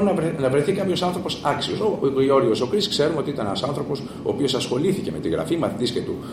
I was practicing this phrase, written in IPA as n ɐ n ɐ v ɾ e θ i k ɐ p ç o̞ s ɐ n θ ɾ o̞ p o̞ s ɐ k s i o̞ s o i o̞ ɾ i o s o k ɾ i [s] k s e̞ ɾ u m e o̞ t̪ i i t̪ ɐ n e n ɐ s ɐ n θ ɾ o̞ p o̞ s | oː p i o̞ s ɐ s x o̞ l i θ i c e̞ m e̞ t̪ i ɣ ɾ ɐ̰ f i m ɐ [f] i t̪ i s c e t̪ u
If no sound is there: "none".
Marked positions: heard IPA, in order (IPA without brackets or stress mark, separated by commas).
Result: s, θ